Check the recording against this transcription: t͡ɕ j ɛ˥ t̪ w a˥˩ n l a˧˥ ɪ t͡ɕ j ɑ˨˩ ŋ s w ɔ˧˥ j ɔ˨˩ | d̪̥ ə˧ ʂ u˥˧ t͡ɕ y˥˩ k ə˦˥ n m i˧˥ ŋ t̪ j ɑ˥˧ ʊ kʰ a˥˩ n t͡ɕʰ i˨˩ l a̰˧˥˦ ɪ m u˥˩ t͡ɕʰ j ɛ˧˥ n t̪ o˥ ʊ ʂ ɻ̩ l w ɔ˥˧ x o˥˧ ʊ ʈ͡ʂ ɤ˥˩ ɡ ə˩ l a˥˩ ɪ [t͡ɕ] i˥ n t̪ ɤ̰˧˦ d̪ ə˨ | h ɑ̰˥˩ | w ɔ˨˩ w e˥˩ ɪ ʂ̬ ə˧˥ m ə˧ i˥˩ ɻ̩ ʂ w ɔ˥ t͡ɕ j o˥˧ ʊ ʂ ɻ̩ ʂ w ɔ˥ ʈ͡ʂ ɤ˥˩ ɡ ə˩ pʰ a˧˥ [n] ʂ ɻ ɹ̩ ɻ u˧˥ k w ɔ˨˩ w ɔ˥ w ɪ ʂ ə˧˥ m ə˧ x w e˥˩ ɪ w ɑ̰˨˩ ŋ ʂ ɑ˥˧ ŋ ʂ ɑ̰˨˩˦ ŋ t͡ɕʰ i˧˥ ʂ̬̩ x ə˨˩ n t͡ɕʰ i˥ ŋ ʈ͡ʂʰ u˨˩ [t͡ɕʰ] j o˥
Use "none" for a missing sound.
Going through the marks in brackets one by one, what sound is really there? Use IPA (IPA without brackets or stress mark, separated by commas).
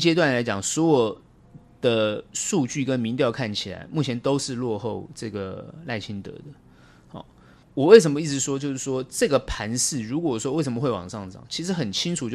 t͡ɕʰ, n, t͡ɕ